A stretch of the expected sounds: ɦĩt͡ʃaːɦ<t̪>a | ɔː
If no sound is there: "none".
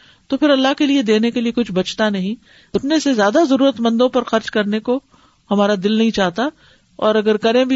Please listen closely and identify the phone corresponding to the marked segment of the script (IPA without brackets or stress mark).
t̪